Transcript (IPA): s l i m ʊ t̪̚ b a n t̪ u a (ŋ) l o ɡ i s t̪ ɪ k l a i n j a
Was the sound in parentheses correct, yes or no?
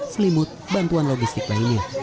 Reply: no